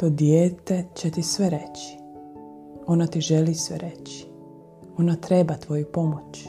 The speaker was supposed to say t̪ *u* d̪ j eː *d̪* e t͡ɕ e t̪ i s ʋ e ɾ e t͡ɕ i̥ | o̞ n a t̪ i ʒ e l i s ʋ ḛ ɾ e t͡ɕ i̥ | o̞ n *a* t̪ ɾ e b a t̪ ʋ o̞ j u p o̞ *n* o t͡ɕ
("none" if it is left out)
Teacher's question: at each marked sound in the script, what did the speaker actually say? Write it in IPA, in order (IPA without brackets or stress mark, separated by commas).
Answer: o, t̪, a, m